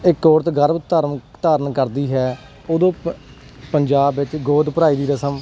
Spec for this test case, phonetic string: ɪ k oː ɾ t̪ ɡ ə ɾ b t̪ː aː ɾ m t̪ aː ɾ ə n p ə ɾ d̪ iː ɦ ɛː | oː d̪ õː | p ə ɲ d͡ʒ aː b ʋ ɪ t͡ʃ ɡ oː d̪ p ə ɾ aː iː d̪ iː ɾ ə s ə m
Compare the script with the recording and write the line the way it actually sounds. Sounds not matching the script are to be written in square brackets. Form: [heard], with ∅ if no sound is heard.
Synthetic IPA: ɪ k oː ɾ t̪ ɡ ə ɾ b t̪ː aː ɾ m t̪ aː ɾ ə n [k] ə ɾ d̪ iː ɦ ɛː | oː d̪ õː | p ə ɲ d͡ʒ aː b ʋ ɪ t͡ʃ ɡ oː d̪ p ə ɾ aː iː d̪ iː ɾ ə s ə m